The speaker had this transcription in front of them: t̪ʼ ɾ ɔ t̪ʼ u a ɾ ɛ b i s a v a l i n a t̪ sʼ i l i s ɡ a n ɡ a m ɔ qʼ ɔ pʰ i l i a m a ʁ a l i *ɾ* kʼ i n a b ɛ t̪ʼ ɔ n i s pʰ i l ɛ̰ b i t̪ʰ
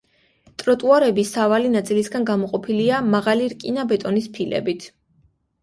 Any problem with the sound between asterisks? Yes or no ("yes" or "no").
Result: no